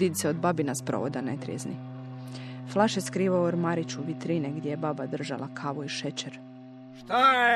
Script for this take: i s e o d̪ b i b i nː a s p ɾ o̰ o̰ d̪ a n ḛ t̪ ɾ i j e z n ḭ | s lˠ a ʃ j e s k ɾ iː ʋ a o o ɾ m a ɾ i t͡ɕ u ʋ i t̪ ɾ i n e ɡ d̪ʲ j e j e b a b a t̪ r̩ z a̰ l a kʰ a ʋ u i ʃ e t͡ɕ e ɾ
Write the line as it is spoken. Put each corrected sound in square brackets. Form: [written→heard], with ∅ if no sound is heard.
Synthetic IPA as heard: i s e o d̪ b [i→a] b i [nː→n] a s p ɾ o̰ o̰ d̪ a n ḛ t̪ ɾ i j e z n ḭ | [s→f] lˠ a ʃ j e s k ɾ iː ʋ a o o ɾ m a ɾ i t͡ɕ u ʋ i t̪ ɾ i n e ɡ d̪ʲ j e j e b a b a [t̪→d̪] r̩ [z→ʒ] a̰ l a kʰ a ʋ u i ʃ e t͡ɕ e ɾ